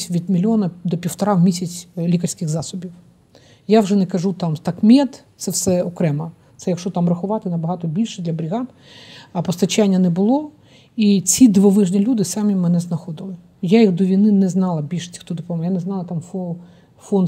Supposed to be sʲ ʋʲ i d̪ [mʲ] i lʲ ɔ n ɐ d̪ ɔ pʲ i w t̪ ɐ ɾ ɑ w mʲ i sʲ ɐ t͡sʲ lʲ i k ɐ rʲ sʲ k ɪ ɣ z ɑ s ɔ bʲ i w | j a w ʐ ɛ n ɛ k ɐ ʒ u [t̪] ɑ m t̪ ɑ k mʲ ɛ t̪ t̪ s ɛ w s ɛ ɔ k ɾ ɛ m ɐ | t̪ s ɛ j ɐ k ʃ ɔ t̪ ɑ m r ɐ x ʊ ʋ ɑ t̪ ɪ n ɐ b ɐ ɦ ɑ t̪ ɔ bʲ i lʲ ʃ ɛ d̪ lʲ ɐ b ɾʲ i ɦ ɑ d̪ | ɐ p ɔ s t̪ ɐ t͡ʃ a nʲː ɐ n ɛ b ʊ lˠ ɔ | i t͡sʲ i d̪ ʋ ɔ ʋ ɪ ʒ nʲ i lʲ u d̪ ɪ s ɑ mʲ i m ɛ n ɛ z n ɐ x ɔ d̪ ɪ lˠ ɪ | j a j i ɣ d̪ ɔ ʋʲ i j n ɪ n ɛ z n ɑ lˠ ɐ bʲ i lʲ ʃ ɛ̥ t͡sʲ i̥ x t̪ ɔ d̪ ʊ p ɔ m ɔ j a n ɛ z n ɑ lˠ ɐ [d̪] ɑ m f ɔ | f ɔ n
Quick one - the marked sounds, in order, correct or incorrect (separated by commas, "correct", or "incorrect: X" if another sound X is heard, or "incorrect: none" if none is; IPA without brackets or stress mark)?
correct, correct, incorrect: t̪